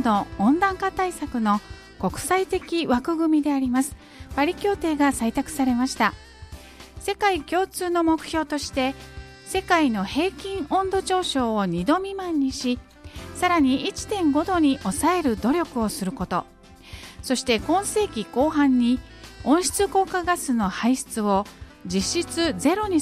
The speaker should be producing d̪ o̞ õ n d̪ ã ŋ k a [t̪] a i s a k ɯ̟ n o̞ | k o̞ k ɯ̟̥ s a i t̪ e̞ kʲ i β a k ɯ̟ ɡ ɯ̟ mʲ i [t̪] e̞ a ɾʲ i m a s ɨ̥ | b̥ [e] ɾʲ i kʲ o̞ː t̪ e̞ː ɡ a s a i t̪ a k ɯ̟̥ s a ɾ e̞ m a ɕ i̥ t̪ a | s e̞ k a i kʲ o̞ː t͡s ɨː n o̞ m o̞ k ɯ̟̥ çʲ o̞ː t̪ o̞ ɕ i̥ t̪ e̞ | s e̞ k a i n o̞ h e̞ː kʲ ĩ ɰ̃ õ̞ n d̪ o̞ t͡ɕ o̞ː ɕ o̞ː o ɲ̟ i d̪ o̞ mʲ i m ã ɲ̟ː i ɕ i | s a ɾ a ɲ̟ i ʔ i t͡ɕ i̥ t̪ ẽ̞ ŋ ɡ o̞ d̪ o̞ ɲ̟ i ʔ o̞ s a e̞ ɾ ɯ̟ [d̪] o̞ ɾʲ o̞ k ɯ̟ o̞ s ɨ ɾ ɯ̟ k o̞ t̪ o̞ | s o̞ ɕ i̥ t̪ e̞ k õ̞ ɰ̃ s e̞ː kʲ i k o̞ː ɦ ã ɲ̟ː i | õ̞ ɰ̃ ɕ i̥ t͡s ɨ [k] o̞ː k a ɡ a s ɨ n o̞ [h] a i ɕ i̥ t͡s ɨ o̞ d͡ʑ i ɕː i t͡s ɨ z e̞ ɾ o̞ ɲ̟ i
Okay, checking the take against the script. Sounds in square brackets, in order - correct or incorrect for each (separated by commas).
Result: correct, incorrect, incorrect, correct, correct, correct